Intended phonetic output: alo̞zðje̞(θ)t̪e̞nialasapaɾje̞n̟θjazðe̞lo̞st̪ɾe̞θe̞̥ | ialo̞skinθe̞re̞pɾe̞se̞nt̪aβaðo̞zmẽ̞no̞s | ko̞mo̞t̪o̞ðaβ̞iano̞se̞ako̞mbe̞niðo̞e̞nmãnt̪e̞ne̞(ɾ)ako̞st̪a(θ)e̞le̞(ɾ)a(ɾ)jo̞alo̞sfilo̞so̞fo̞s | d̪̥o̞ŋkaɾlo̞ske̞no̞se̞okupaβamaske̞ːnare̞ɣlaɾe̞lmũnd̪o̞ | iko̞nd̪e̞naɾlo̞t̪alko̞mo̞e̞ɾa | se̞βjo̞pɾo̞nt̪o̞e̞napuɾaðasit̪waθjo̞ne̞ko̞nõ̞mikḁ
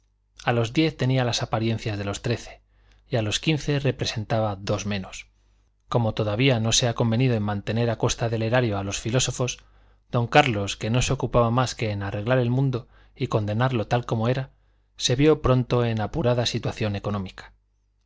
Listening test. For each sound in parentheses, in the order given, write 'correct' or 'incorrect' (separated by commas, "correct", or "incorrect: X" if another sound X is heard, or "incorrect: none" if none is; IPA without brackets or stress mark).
correct, correct, incorrect: ð, correct, correct